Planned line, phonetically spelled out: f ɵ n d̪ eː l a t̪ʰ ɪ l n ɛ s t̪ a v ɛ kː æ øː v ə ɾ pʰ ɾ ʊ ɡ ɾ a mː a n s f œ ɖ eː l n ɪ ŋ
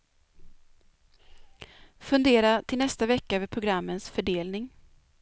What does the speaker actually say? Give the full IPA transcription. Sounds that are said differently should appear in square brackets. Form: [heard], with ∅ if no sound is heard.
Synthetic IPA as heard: f ɵ n d̪ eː [ɾ] a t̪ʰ ɪ l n ɛ s t̪ a v ɛ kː [a] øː v ə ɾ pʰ ɾ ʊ ɡ ɾ a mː [ə] n s f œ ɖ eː l n ɪ ŋ